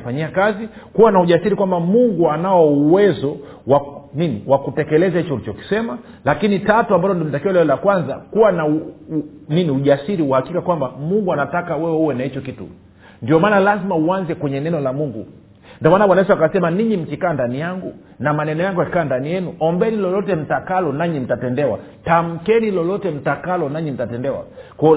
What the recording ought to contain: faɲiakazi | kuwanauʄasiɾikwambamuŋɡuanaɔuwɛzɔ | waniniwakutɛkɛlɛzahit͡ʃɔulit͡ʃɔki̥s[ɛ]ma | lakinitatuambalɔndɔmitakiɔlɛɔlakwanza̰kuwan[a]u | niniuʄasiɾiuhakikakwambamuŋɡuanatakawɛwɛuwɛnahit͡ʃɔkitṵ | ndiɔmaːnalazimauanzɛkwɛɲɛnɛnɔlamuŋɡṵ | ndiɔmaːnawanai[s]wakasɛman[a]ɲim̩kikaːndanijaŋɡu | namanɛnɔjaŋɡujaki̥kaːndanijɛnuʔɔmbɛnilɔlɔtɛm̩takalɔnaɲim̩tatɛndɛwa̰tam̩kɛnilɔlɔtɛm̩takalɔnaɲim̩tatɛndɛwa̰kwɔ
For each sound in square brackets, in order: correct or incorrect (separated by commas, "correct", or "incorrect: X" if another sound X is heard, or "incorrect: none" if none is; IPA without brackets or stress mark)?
correct, correct, correct, incorrect: i